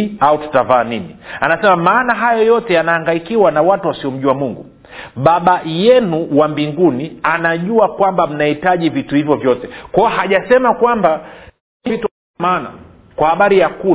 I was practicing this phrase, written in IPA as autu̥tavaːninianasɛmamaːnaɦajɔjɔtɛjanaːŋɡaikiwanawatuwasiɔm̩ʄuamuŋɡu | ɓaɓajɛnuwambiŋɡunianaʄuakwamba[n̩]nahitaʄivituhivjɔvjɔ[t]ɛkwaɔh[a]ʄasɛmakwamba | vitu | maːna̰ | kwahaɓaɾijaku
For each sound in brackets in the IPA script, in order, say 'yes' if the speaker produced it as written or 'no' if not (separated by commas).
no, yes, yes